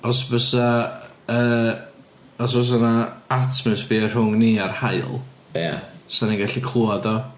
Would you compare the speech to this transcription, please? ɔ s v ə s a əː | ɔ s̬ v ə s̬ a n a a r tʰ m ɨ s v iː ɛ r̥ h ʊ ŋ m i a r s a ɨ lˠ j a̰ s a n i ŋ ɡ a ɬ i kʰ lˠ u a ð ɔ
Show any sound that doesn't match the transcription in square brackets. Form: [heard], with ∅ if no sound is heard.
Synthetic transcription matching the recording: ɔ s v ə s a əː | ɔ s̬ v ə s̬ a n a a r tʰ m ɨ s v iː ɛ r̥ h ʊ ŋ [n] i a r [h] a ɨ lˠ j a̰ s a n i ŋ ɡ a ɬ i kʰ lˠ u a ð ɔ

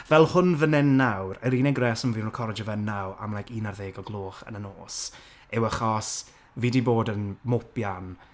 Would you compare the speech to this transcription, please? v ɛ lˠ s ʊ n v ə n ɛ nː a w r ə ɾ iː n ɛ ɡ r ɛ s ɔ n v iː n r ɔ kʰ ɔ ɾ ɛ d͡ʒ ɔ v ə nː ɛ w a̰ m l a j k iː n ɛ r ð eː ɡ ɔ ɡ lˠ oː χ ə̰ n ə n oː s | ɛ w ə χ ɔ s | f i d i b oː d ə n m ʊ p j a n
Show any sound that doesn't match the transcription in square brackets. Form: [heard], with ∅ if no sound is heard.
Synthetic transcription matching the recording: v ɛ lˠ [h] ʊ n v ə n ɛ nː a w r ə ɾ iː n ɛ ɡ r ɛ s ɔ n v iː n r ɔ kʰ ɔ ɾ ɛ d͡ʒ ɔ v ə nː [a] w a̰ m l a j k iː n [a] r ð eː ɡ ɔ ɡ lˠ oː χ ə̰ n ə n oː s | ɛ w ə χ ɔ s | [v] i d i b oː d ə n m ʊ p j a n

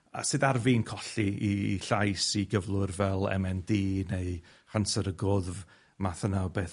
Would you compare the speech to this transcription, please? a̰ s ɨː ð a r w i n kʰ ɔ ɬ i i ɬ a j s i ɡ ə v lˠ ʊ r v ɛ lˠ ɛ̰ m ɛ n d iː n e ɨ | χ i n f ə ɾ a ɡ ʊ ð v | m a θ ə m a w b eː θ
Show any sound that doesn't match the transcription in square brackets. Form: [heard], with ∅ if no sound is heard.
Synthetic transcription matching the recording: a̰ s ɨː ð a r [v] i n kʰ ɔ ɬ i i ɬ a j s i ɡ ə v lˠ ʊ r v ɛ lˠ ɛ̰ m ɛ n d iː n e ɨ | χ [a] n [s] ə ɾ [ə] ɡ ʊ ð v | m a θ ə [n] a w b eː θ

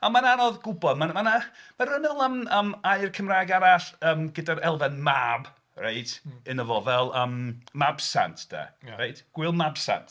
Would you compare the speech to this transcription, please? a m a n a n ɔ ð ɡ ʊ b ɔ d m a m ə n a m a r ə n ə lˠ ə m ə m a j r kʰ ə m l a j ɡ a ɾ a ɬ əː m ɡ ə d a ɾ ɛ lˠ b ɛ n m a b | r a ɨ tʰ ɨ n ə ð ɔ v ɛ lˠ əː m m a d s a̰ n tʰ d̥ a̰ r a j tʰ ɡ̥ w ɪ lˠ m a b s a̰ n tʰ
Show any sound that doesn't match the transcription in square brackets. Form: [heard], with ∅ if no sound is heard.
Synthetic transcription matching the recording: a m a n a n ɔ ð ɡ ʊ b ɔ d m a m [a] n a m a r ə n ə lˠ ə m ə m a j r kʰ ə m [r] a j ɡ a ɾ a ɬ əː m ɡ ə d a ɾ ɛ lˠ [v] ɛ n m a b | r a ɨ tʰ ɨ n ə [v] ɔ v ɛ lˠ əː m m a [b] s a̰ n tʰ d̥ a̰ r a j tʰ ɡ̥ w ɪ lˠ m a b s a̰ n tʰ

